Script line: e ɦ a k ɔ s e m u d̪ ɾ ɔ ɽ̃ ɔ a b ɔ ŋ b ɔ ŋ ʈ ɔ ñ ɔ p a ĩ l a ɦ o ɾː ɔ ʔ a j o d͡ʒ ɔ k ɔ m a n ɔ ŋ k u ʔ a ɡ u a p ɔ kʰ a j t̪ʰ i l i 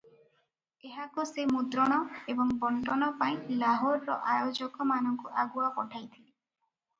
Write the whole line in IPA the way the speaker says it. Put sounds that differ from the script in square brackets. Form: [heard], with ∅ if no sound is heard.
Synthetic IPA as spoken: e ɦ a k [u] s e m u d̪ ɾ ɔ ɽ̃ ɔ [e] b ɔ ŋ b ɔ [ɳ] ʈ ɔ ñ ɔ p a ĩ l a ɦ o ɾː ɔ ʔ a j o d͡ʒ ɔ k ɔ m a n ɔ ŋ k u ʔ a ɡ u a p ɔ [ʈʰ] a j t̪ʰ i l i